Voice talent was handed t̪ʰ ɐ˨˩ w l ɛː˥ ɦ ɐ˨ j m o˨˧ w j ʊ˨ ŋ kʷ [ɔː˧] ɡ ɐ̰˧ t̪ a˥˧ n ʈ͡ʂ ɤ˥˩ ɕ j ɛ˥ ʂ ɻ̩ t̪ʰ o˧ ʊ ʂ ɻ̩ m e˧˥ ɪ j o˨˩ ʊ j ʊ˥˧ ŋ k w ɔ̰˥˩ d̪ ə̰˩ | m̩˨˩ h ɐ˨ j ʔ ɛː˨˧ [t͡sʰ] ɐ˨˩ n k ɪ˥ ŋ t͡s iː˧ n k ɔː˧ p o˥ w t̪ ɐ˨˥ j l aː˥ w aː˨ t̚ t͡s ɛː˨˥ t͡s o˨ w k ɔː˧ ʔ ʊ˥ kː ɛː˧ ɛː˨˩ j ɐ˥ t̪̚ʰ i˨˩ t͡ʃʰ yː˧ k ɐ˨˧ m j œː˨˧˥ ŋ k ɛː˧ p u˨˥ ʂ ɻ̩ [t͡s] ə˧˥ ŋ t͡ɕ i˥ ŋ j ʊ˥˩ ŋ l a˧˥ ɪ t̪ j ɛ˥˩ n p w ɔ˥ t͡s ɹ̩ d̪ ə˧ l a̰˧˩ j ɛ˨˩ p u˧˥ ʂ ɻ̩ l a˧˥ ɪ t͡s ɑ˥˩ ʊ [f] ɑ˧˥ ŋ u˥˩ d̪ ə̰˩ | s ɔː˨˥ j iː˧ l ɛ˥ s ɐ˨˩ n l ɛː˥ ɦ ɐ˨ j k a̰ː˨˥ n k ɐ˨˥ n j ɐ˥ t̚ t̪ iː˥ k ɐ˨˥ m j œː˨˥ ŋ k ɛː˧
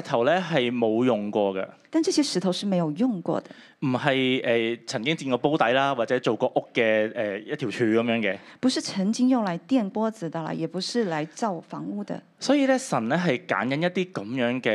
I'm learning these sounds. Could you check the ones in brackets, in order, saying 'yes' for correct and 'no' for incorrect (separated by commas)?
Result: yes, yes, no, yes